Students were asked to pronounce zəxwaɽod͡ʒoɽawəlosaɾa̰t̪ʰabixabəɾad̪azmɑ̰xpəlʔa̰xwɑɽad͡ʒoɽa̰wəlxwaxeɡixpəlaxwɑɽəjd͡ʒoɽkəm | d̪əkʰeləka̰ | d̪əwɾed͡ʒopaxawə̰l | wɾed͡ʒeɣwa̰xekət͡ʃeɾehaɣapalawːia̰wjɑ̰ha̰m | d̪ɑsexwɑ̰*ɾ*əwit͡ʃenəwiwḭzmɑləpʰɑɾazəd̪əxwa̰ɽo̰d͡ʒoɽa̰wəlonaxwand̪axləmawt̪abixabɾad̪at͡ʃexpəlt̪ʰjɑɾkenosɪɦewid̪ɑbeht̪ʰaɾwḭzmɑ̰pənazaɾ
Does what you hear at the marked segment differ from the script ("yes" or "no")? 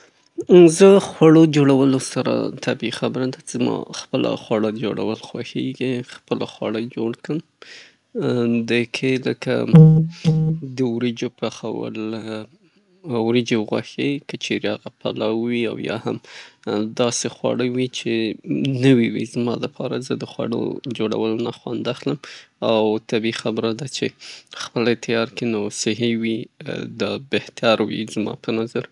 yes